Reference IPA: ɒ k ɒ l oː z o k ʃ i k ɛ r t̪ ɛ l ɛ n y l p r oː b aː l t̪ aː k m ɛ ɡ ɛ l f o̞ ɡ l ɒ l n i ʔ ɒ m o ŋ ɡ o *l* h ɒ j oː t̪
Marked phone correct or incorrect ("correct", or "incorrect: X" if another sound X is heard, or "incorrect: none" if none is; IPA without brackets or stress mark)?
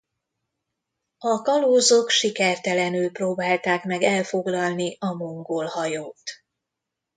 correct